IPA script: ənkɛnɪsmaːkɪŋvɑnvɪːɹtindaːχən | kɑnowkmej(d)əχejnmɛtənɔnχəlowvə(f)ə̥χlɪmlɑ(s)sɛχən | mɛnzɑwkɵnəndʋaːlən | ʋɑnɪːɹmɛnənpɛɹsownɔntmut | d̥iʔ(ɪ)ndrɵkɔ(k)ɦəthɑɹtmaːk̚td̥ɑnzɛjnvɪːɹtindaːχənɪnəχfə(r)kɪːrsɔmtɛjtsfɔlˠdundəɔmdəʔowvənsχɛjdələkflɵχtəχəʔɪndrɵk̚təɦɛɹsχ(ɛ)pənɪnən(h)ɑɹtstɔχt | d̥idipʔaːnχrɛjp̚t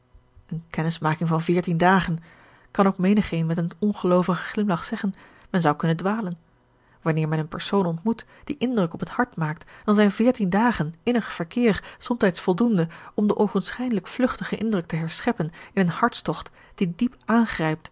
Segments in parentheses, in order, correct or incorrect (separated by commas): incorrect, incorrect, incorrect, correct, incorrect, incorrect, correct, correct